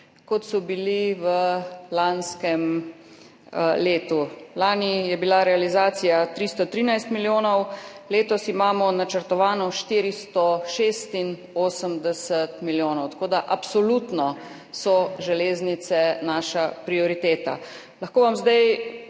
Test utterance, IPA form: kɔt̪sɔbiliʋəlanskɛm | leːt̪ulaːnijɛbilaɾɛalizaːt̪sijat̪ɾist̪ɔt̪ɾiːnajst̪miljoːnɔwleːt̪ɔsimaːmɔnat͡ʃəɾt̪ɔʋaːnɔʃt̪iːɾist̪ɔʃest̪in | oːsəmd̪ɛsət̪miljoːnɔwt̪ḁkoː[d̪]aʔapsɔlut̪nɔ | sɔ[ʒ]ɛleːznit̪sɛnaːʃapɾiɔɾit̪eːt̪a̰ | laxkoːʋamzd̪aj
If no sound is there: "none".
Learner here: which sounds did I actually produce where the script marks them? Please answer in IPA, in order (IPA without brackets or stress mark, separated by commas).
d̪, ʒ